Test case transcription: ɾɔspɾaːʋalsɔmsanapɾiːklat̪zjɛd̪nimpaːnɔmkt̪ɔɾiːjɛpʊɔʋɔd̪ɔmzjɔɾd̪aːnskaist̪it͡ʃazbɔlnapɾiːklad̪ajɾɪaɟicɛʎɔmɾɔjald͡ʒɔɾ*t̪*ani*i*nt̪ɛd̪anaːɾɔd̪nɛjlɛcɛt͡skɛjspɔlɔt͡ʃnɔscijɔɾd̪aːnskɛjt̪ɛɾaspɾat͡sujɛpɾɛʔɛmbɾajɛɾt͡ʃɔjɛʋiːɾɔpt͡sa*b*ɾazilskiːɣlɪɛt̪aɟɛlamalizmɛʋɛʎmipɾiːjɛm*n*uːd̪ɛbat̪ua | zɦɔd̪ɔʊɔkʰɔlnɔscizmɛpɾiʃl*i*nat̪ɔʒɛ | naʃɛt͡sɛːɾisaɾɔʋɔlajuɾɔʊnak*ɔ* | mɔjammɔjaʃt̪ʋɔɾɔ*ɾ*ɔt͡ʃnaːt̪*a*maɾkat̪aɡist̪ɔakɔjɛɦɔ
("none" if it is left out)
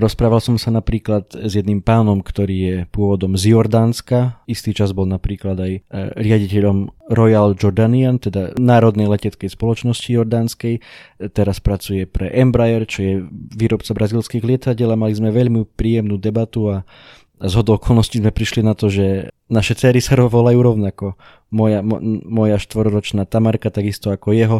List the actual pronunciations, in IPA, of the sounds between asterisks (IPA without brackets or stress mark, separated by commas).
d̪, a, b, n, i, ɔ, ɾ, a